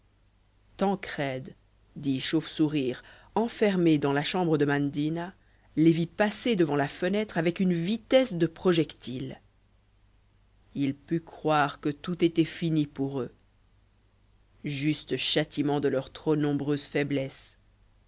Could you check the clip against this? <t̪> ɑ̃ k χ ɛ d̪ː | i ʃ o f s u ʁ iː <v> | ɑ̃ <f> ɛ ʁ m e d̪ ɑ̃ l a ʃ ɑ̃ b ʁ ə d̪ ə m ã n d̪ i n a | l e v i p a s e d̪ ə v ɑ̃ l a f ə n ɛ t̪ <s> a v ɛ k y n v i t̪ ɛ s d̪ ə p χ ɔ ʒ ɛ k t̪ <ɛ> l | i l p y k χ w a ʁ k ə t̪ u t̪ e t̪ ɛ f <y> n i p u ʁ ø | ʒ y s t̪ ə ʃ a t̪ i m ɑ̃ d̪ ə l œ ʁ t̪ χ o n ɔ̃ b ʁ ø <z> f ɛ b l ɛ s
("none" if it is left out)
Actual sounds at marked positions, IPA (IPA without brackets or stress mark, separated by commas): t̪, ʁ, f, χ, i, i, z